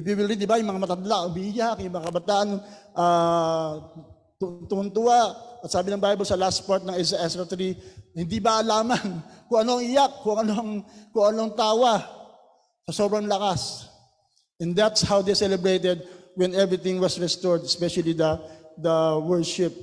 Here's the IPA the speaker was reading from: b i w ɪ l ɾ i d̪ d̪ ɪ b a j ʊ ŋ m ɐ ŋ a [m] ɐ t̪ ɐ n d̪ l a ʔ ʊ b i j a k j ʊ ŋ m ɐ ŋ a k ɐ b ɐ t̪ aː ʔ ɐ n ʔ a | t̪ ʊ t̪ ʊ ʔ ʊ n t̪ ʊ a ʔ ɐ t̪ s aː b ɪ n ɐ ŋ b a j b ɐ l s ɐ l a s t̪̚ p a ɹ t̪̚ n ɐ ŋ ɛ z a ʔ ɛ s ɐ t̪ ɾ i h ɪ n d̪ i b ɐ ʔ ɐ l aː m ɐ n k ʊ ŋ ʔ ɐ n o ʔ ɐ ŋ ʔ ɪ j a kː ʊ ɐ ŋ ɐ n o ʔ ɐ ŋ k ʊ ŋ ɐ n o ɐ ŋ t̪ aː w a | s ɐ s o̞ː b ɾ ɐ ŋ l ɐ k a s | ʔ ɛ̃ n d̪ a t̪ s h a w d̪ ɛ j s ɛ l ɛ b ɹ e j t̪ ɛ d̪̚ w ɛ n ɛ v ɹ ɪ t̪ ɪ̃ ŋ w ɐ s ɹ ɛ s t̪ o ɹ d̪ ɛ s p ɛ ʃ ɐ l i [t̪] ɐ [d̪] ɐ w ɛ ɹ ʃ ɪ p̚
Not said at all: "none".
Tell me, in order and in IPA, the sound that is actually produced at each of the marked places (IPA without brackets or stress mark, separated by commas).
m, d̪, d̪